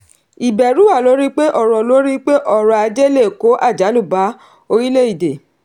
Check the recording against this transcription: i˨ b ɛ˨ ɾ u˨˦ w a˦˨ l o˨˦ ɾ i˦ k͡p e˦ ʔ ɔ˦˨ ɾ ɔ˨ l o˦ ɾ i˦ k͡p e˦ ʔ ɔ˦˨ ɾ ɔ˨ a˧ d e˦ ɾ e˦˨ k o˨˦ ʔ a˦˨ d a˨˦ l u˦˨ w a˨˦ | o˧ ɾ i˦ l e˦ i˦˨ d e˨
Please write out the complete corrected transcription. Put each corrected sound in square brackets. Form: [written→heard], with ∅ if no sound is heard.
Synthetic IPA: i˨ b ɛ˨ ɾ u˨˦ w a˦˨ l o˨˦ ɾ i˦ k͡p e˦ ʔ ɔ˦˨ ɾ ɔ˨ l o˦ ɾ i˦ k͡p e˦ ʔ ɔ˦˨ ɾ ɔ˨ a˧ [d→d͡ʒ] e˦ [ɾ→l] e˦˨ k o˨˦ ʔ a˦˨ [d→d͡ʒ] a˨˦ l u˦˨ [w→b] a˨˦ | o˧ ɾ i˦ l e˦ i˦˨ d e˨